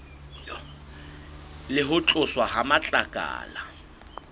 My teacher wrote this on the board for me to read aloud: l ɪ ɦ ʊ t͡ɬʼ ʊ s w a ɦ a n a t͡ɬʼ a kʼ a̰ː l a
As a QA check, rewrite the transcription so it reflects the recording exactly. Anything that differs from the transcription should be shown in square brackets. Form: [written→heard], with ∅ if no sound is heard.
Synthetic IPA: l ɪ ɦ ʊ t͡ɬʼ ʊ s w a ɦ a [n→m] a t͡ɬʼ a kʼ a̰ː l a